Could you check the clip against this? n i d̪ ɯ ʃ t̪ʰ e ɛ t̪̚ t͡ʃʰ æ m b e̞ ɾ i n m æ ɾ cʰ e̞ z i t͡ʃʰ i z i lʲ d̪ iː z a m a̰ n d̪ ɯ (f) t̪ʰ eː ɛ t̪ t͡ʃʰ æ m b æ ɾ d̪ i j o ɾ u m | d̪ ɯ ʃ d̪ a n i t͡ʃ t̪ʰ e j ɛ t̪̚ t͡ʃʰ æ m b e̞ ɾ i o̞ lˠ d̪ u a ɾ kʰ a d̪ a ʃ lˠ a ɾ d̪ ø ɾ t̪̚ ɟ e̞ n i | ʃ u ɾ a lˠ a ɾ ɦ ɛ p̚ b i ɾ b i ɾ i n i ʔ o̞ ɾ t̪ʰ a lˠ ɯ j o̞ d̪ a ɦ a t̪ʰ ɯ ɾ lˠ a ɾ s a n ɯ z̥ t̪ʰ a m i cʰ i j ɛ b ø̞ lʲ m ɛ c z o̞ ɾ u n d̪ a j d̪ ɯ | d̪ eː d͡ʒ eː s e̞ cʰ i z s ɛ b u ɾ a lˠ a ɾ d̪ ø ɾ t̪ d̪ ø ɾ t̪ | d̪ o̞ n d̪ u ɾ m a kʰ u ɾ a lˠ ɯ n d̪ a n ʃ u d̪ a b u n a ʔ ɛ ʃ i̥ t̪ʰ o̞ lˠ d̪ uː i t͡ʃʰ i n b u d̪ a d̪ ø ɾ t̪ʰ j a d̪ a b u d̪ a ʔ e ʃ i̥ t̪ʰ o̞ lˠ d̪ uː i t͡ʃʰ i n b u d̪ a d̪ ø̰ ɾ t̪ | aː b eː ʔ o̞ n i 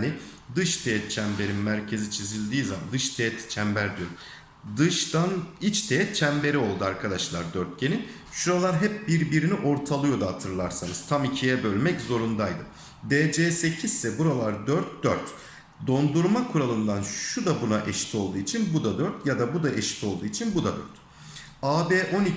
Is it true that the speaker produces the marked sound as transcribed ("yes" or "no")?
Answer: no